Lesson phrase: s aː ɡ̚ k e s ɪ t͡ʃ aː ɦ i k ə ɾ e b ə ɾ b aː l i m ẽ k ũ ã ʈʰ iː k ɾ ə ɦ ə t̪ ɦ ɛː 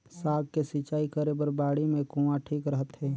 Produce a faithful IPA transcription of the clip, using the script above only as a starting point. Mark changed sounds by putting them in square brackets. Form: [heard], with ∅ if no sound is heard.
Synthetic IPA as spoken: s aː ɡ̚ k e s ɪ t͡ʃ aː [∅] i k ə ɾ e b ə ɾ b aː [ɽ] i m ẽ k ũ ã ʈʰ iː k ɾ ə ɦ ə t̪ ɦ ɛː